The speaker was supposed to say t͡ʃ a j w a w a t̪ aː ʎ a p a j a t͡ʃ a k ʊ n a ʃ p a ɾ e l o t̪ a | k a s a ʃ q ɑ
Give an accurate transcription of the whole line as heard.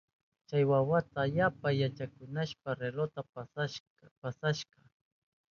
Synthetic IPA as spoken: t͡ʃ a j w a w a t̪ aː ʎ a p a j a t͡ʃ a k ʊ n a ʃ p a ɾ e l o t̪ a | p a s a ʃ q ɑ

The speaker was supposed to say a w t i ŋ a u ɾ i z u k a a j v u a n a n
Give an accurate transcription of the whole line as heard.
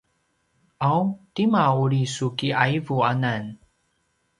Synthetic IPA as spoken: a w t i m a u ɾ i s u k i a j v u a n a n

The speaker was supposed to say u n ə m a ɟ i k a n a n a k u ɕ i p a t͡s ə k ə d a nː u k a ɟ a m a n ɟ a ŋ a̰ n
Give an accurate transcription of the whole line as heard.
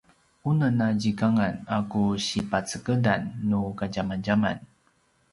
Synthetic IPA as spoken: u n ə n a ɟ i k a ŋ a n a k u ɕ i p a t͡s ə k ə d a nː u k a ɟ a m a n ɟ a m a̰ n

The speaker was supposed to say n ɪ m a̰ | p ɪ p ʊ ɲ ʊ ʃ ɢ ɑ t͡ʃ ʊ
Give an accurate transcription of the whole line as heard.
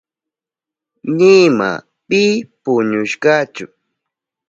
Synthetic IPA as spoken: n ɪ m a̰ | p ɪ p ʊ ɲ ʊ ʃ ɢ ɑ t͡ʃ ʊ

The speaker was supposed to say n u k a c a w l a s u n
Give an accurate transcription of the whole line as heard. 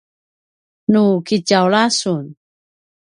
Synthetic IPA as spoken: n u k i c a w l a s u n

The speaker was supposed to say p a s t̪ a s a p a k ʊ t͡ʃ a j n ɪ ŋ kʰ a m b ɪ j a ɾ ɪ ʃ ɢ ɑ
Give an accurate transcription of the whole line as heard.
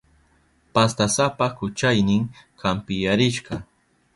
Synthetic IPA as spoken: p a s t̪ a s a p a k ʊ t͡ʃ a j n ɪ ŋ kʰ a m p ɪ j a ɾ ɪ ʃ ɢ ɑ

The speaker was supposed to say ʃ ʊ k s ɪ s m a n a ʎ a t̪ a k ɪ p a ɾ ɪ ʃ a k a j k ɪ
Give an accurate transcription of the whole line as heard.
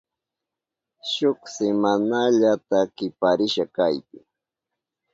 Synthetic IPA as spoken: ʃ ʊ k s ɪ m a n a ʎ a t̪ a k ɪ p a ɾ ɪ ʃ a k a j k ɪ

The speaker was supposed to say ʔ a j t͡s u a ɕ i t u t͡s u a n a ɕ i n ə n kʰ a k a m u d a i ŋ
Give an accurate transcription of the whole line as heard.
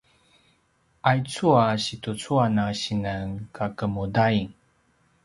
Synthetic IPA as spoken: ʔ a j t͡s u a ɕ i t u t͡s u a n a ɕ i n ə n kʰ a k ə m u d a i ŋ

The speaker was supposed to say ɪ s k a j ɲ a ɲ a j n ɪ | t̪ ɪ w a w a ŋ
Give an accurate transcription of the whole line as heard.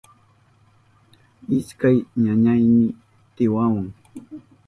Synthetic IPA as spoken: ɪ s k a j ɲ a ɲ a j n ɪ | t̪ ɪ w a w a ŋ

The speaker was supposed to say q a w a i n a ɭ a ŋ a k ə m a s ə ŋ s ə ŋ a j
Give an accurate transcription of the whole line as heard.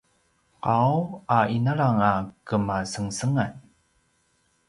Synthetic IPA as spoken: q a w a i n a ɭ a ŋ a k ə m a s ə ŋ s ə ŋ a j

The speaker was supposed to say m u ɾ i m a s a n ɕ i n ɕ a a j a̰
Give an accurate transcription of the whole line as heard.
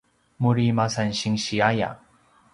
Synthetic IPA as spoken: m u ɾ i m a s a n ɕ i ŋ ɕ i a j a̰

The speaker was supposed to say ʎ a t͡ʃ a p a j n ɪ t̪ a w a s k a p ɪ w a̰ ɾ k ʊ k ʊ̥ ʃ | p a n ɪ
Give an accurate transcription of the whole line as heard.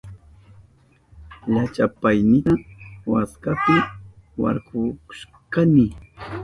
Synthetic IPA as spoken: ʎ a t͡ʃ a p a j n ɪ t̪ a w a s k a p ɪ w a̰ ɾ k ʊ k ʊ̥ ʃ | k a n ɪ

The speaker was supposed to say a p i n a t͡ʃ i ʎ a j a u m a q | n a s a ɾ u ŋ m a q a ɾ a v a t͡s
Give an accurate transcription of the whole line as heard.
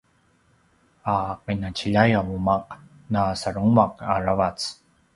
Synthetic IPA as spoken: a q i n a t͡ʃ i ʎ a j a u m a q | n a s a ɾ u ŋ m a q a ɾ a v a t͡s

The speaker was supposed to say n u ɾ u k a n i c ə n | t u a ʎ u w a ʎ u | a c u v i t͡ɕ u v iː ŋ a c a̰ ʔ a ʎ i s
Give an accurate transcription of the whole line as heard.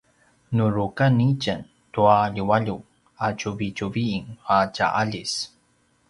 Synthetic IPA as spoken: n u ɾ u k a n i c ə n | t u a ʎ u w a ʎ u | a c u v i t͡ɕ u v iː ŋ a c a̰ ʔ a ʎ i s

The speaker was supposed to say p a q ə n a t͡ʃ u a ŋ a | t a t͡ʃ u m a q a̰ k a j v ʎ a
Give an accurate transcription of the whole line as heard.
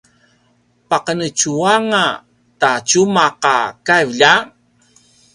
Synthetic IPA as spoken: p a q ə n ə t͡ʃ u a ŋ a | t a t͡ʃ u m a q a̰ k a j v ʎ a

